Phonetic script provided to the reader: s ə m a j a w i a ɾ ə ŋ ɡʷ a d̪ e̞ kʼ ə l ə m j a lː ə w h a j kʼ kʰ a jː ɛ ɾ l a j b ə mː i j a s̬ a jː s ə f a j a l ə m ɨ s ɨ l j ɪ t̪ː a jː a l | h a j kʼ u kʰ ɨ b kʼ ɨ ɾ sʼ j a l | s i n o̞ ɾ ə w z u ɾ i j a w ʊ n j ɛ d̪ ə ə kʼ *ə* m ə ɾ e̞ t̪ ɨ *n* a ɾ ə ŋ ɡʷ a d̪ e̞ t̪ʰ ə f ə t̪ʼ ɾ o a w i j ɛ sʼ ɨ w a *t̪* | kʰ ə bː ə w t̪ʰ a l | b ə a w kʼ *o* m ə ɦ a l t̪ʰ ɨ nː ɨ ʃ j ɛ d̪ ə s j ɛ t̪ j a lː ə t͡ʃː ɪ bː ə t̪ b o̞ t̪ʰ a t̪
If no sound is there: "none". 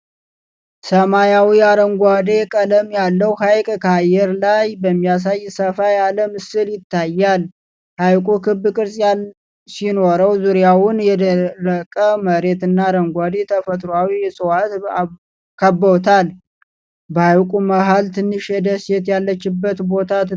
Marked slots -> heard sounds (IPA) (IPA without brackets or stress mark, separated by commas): ə, nː, t̪, u